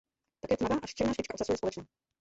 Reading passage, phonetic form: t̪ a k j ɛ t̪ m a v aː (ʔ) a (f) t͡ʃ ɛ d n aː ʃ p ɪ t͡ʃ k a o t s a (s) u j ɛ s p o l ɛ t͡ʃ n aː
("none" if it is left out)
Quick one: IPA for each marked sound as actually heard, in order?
ʔ, ʃ, s

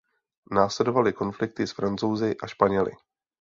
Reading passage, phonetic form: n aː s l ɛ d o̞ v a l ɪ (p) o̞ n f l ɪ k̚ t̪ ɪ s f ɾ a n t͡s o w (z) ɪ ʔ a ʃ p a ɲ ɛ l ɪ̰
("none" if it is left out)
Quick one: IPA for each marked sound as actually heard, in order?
k, z

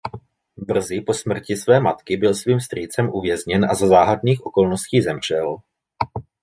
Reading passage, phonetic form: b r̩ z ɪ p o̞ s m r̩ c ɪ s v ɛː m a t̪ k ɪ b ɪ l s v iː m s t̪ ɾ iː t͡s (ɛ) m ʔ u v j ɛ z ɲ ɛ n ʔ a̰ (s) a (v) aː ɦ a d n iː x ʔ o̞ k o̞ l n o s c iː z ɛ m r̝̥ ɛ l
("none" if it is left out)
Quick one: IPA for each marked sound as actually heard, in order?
ɛ, z, z

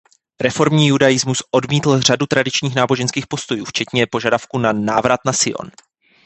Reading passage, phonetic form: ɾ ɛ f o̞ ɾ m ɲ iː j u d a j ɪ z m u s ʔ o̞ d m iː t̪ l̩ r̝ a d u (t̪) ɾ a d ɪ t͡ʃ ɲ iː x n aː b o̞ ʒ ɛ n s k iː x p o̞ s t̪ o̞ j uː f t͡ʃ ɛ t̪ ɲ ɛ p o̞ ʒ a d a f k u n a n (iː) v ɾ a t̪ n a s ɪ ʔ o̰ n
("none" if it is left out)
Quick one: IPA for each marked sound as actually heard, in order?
t̪, aː

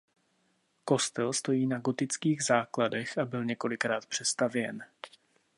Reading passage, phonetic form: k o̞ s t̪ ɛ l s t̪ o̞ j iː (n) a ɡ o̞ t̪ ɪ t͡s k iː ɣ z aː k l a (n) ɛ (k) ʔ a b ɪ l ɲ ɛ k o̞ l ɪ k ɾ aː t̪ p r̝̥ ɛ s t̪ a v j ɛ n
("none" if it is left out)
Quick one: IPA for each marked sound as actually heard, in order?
n, d, x

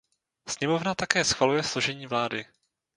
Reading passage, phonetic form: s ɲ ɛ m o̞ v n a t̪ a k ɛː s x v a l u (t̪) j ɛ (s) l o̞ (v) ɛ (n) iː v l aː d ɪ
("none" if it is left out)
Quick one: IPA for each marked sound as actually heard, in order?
none, s, ʒ, ɲ

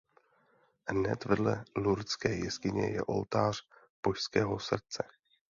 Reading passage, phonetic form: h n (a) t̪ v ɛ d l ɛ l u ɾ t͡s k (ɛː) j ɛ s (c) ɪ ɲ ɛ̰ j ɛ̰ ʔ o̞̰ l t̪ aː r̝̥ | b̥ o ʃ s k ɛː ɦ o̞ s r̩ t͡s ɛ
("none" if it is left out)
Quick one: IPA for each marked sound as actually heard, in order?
ɛ, ɛː, k

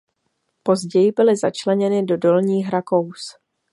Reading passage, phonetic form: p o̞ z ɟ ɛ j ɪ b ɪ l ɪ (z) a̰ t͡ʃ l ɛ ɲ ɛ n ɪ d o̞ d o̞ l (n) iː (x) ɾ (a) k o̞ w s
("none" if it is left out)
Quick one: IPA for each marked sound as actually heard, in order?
z, ɲ, x, a

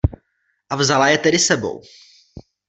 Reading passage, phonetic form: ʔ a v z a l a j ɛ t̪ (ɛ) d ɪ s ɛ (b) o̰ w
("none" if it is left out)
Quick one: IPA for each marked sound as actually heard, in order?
ɛ, b

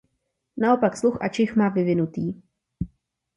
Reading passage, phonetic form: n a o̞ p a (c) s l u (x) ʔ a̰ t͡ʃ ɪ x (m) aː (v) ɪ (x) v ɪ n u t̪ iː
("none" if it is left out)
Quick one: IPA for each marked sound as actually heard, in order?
k, x, m, v, none

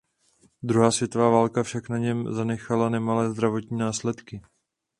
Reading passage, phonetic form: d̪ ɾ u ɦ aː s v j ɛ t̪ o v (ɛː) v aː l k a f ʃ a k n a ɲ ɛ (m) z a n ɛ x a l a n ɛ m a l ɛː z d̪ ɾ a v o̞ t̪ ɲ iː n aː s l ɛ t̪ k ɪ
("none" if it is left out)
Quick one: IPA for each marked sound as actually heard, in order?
aː, m

